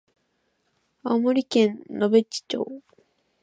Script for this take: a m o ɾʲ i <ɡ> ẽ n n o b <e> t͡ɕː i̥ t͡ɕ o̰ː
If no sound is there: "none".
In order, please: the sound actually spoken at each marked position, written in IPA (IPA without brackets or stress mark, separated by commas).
k, e